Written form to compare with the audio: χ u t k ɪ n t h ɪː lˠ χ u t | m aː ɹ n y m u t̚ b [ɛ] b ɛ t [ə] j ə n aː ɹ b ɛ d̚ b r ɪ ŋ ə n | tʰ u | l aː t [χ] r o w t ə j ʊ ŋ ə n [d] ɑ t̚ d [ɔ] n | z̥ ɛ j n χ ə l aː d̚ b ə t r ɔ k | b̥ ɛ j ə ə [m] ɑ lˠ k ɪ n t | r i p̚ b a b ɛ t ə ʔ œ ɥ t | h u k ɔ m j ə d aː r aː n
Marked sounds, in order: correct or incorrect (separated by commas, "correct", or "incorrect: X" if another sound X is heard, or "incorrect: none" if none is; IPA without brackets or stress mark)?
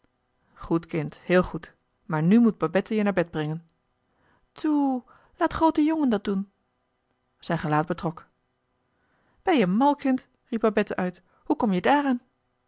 incorrect: a, correct, correct, correct, incorrect: u, correct